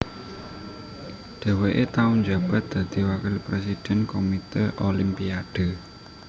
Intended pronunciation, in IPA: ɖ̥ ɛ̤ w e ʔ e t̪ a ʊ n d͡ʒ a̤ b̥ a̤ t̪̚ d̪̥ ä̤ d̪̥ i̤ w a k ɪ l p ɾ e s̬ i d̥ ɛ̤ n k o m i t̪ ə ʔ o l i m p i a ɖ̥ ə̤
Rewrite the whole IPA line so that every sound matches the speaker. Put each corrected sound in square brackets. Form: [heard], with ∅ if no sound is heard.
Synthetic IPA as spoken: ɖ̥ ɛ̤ w e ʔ e t̪ a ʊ n d͡ʒ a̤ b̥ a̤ t̪̚ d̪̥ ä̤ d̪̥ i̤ w a k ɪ l p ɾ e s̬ i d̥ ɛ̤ n k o m i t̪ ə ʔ o l i m p i a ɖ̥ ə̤